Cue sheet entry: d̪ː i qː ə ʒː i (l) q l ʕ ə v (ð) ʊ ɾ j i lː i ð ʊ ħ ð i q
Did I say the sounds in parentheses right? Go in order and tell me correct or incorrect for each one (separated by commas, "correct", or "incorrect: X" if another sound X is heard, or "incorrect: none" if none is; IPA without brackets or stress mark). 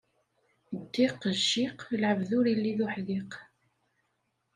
incorrect: none, correct